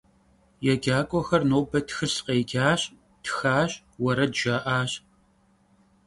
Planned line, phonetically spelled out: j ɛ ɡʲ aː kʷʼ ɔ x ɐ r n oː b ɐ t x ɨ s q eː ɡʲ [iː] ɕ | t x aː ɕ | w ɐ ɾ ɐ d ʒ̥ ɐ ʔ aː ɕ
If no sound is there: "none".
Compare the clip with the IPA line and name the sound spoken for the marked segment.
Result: aː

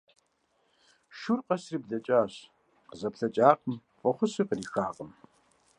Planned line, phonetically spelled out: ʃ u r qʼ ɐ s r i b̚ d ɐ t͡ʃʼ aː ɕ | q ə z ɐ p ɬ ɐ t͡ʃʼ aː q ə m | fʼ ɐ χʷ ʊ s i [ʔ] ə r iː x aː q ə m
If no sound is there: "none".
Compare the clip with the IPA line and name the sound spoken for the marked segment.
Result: q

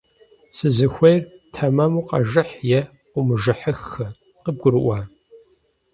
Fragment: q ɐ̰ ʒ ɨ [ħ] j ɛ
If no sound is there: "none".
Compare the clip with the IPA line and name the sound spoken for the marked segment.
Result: ħ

